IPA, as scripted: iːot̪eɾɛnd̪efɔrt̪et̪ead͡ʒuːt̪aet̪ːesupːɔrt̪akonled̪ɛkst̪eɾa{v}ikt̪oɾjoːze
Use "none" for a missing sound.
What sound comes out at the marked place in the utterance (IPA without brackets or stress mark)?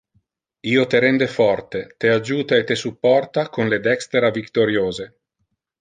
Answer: v